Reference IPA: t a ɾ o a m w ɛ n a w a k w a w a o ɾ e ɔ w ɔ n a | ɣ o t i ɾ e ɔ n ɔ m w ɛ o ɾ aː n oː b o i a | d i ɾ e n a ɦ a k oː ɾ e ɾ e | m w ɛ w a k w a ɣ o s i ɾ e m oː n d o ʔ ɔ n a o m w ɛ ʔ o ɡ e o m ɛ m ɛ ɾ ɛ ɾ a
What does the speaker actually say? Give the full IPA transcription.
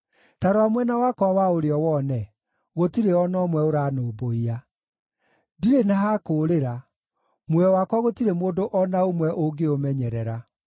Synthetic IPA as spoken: t a ɾ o a m w ɛ n a w a k w a w a o ɾ e ɔ w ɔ n ɛ | ɣ o t i ɾ e ɔ n ɔ m w ɛ o ɾ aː n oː b o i a | d i ɾ e n a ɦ a k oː ɾ e ɾ a | m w ɛ w a k w a ɣ o t i ɾ e m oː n d o ʔ ɔ n a o m w ɛ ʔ o ɡ e o m ɛ ɲ ɛ ɾ ɛ ɾ a